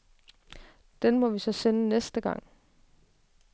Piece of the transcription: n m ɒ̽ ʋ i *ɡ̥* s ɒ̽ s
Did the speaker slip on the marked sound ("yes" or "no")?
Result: yes